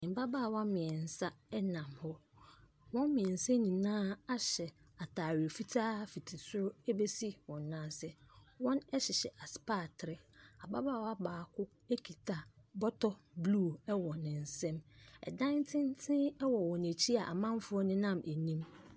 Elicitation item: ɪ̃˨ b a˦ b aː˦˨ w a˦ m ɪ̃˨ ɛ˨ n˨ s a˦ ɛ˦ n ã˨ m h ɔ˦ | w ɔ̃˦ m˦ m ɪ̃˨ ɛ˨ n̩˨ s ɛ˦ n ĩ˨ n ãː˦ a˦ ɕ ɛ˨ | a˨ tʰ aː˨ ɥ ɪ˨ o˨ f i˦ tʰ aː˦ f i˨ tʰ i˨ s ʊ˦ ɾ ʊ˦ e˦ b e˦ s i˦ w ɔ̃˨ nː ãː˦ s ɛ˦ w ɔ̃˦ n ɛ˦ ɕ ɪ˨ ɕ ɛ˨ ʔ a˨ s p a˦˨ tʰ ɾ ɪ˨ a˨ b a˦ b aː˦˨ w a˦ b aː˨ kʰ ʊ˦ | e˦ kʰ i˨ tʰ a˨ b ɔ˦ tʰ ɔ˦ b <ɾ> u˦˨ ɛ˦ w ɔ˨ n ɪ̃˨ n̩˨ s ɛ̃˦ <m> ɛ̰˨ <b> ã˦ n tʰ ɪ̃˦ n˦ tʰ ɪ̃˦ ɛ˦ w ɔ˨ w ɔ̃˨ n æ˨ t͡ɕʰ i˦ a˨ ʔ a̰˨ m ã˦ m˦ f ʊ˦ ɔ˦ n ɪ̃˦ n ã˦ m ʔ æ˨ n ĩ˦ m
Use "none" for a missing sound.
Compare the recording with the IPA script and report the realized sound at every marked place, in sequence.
l, m, d

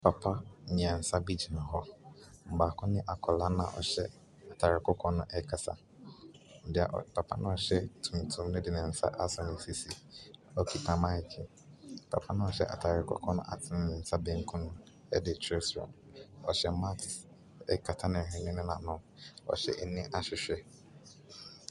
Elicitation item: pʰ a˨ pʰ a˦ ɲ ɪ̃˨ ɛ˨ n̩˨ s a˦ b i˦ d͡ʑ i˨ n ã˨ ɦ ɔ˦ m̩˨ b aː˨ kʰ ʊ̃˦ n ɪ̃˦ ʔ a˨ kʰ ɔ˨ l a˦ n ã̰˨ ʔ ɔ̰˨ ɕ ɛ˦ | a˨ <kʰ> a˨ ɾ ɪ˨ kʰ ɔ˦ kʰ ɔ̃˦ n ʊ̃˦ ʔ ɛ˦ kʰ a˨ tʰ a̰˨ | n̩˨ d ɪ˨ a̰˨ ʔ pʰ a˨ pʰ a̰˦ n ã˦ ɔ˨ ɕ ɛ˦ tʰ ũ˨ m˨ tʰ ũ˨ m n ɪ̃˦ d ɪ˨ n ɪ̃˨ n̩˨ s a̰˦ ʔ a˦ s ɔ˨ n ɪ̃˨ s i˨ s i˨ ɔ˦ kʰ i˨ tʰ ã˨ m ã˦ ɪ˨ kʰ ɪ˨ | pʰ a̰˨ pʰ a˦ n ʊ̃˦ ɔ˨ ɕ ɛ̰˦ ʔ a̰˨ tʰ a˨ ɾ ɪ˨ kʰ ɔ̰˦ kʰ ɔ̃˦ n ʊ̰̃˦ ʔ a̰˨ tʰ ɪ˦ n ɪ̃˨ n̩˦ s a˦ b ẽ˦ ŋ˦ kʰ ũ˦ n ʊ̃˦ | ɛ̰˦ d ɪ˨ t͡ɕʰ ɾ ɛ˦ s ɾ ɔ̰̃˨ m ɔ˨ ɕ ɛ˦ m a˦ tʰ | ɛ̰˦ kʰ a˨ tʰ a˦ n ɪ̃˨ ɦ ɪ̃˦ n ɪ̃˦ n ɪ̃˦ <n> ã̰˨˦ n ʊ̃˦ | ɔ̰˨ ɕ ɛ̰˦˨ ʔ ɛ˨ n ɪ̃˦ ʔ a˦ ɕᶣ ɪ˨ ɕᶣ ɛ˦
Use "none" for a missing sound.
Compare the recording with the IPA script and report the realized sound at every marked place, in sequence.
tʰ, n

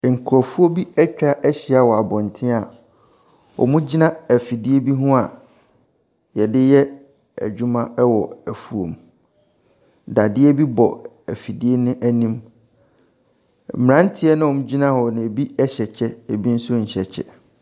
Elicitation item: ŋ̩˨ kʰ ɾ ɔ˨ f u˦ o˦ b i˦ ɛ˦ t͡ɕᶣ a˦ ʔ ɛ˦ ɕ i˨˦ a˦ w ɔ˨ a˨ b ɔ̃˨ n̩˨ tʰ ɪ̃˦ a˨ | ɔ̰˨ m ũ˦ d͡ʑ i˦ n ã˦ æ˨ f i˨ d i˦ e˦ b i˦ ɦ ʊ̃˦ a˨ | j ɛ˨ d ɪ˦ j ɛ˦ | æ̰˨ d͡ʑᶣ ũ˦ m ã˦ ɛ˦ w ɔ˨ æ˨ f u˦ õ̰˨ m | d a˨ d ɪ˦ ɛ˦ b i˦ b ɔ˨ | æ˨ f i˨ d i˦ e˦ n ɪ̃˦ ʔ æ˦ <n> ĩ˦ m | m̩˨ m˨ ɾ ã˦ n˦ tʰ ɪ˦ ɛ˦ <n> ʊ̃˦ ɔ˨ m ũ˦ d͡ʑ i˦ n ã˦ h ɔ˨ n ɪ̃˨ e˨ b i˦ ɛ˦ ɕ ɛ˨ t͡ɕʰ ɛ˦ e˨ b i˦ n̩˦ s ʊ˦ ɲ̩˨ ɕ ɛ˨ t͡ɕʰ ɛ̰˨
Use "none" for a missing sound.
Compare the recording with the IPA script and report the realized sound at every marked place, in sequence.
n, n

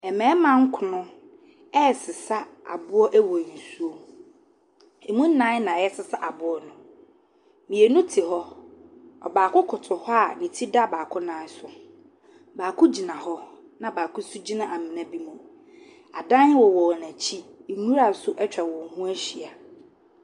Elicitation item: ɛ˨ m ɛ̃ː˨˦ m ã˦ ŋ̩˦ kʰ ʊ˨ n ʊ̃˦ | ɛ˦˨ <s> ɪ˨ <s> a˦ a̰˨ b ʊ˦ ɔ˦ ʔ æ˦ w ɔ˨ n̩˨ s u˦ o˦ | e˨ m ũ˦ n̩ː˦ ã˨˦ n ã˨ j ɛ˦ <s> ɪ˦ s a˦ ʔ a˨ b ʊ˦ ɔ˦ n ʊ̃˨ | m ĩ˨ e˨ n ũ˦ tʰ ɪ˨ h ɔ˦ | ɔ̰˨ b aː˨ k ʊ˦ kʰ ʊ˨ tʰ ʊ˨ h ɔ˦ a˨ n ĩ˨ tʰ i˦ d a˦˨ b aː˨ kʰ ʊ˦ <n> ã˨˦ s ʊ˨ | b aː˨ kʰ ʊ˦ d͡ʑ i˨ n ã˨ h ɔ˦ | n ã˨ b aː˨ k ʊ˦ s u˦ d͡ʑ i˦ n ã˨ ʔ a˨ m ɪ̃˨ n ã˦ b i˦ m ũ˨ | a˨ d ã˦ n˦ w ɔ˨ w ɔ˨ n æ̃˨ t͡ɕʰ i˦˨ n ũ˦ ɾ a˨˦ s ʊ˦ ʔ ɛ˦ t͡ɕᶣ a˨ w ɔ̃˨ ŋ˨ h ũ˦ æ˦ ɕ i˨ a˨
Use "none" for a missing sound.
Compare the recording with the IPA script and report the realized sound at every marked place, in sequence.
s, s, s, n

